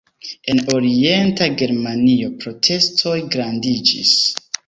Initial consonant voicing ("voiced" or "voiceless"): voiced